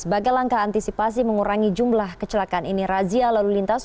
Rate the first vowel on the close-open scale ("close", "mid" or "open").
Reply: mid